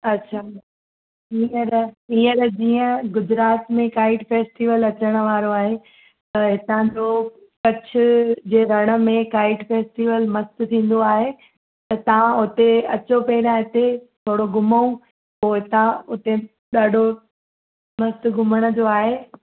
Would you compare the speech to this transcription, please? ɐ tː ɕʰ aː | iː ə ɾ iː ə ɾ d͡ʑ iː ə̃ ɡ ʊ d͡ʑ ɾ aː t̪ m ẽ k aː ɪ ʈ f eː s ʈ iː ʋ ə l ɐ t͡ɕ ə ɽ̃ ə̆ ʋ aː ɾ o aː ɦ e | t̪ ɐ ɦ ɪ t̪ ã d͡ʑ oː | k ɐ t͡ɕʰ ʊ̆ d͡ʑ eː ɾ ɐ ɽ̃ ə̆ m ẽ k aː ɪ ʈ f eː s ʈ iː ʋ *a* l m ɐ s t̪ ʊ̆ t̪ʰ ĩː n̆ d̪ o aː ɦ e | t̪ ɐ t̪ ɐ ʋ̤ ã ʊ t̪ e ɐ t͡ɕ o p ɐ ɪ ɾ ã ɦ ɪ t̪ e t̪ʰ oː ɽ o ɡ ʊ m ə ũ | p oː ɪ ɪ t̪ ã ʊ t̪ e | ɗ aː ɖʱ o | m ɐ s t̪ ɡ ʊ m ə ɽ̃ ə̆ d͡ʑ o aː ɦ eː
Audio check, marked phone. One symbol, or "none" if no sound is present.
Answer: ə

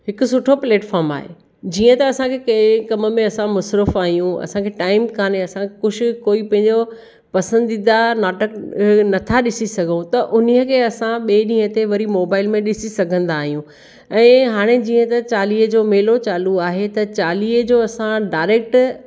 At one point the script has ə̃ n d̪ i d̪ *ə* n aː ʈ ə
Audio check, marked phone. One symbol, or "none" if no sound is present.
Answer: a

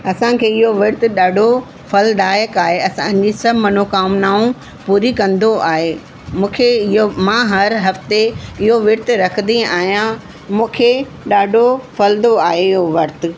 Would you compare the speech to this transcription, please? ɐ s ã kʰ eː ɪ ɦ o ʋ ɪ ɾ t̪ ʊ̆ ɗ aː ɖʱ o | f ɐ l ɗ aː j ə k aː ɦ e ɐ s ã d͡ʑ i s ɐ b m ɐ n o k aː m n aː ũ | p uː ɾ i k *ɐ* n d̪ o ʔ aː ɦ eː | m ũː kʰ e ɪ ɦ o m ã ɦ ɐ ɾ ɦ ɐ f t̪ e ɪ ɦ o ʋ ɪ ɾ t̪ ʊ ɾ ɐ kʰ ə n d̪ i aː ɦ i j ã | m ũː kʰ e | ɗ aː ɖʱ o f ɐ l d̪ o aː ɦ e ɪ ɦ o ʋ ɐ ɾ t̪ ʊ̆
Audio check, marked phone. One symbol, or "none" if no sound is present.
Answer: ɐ̃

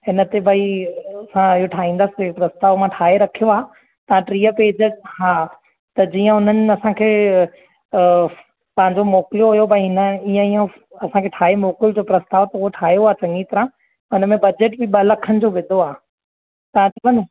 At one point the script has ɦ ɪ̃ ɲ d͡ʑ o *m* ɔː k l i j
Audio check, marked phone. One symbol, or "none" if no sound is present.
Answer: m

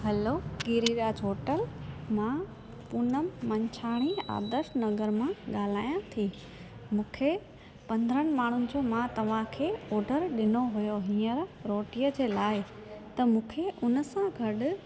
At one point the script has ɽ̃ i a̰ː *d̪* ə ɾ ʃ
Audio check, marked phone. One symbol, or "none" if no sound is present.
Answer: d̪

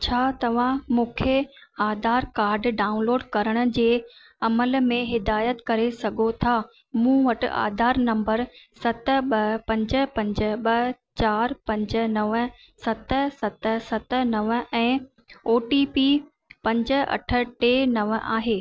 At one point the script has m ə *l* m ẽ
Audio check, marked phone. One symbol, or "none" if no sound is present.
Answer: l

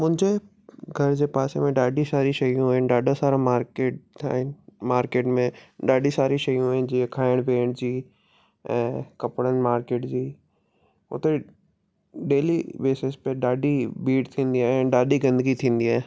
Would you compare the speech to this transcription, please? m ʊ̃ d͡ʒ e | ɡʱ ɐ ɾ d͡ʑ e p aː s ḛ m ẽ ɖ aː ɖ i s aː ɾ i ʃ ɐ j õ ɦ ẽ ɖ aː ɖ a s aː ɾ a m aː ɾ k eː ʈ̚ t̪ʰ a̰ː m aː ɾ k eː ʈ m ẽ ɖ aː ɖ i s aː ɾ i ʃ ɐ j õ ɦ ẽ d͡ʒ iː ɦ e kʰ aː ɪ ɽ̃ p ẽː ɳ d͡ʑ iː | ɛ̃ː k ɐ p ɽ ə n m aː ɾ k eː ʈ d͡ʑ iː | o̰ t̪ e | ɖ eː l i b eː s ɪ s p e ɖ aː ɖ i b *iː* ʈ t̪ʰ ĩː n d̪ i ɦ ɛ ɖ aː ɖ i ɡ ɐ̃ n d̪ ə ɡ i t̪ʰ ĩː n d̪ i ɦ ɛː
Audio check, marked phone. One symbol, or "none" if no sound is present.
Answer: iː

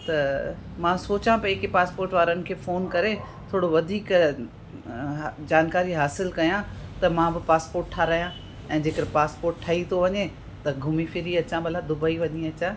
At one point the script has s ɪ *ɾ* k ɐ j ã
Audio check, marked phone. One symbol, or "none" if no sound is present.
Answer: l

